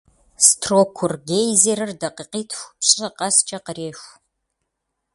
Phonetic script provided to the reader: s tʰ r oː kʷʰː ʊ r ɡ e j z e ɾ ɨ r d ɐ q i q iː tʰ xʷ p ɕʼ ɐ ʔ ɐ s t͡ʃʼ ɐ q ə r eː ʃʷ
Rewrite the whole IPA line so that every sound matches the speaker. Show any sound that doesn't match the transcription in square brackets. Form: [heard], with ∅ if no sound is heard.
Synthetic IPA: s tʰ r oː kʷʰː ʊ r ɡ e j z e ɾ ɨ r d ɐ q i q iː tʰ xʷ p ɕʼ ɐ [q] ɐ s t͡ʃʼ ɐ q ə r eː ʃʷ